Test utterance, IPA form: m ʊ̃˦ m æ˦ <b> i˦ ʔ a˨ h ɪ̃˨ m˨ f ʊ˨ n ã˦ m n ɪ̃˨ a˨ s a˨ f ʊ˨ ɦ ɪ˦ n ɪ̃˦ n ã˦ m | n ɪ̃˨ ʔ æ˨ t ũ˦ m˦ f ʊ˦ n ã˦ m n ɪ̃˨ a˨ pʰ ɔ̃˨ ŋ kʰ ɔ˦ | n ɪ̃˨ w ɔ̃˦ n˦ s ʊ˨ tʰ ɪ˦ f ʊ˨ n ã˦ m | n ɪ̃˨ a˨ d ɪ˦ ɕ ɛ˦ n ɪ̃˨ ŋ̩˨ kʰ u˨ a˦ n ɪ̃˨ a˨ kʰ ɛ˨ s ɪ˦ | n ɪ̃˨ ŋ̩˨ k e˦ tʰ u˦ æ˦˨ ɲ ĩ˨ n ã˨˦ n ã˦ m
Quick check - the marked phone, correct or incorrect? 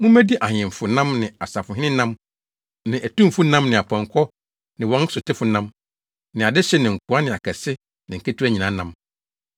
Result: incorrect